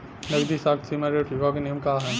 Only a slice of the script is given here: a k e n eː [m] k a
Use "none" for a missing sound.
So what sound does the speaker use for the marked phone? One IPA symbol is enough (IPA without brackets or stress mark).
m